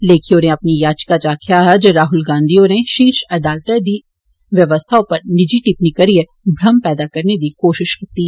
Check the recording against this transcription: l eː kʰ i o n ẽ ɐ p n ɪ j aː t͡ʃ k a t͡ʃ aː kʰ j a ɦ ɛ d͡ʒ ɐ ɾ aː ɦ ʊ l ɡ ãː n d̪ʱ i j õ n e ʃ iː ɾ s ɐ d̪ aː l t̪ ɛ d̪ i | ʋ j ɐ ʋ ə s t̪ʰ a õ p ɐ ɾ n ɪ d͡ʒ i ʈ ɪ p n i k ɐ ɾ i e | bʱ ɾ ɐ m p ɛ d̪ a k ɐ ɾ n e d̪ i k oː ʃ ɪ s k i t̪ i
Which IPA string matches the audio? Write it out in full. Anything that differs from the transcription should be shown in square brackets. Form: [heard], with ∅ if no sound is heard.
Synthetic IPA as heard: l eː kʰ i o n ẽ ɐ p n [i] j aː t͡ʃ k a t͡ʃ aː kʰ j a ɦ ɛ d͡ʒ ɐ ɾ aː ɦ ʊ l ɡ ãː n d̪ʱ i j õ n e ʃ iː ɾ [ʃ] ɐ d̪ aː l t̪ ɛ d̪ i | ʋ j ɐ ʋ ə s t̪ʰ a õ p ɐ ɾ n ɪ d͡ʒ i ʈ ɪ p n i k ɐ ɾ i e | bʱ ɾ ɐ m p [ɛː] d̪ a k ɐ ɾ n e d̪ i k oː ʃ ɪ [ʃ] k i t̪ i

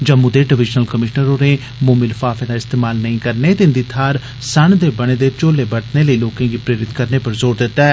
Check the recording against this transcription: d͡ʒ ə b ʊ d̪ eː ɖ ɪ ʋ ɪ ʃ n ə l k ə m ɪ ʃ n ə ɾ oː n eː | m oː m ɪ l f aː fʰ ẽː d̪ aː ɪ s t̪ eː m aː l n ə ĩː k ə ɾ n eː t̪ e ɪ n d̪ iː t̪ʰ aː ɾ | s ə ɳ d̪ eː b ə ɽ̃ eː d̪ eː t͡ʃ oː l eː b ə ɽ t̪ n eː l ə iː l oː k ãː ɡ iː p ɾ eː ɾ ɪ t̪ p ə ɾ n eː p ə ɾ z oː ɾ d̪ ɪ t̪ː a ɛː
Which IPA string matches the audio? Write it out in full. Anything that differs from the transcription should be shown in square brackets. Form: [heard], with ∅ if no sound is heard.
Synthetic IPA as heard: d͡ʒ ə [m] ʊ d̪ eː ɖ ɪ ʋ ɪ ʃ n ə l k ə m ɪ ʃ n ə ɾ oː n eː | m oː m ɪ l f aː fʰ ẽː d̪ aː ɪ s t̪ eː m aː l n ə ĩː k ə ɾ n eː t̪ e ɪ n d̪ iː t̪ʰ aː ɾ | s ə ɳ d̪ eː b ə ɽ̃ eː d̪ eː t͡ʃ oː l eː b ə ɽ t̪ n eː l ə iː l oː k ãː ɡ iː p ɾ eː ɾ ɪ t̪ [k] ə ɾ n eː p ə ɾ z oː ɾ d̪ ɪ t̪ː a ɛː

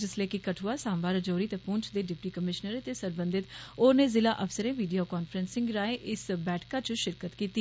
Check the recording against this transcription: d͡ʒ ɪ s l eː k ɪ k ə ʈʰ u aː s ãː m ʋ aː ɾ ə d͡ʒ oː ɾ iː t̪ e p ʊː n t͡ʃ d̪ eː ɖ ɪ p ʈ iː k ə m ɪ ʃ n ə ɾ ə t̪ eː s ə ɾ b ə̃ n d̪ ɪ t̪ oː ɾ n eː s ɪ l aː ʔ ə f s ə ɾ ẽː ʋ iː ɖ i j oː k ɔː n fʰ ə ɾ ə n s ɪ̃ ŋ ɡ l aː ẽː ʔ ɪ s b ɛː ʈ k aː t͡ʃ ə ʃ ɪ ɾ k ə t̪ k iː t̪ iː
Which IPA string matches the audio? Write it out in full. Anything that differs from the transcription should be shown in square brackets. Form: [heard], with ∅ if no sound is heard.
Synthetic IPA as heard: d͡ʒ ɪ s l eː k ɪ k ə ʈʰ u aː s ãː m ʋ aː ɾ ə d͡ʒ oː ɾ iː t̪ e p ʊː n t͡ʃ d̪ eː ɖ ɪ p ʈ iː k ə m ɪ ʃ n ə ɾ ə t̪ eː s ə ɾ b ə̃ n d̪ ɪ t̪ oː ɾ n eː [z] ɪ l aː ʔ ə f s ə ɾ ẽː ʋ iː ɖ i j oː k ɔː n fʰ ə ɾ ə n s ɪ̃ ŋ ɡ [ɾ] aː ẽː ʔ ɪ s b ɛː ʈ k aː t͡ʃ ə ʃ ɪ ɾ k ə t̪ k iː t̪ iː

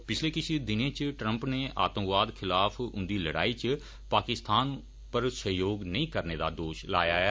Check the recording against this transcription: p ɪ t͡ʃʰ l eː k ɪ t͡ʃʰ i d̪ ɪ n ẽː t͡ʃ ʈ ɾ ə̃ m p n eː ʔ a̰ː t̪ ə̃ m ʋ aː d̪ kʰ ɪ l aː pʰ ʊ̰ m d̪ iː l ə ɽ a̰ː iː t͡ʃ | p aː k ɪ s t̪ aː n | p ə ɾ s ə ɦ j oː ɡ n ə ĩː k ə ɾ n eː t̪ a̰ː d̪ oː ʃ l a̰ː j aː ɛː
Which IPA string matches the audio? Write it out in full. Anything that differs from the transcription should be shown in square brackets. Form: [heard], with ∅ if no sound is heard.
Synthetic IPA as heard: p ɪ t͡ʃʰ l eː k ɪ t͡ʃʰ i d̪ ɪ n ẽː t͡ʃ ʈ ɾ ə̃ m p n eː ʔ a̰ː t̪ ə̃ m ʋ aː d̪ kʰ ɪ l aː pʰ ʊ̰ [n] d̪ iː l ə ɽ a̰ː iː t͡ʃ | p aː k ɪ s t̪ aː n | p ə ɾ s ə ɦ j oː ɡ n ə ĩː k ə ɾ n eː [d̪] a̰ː d̪ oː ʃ l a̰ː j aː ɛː

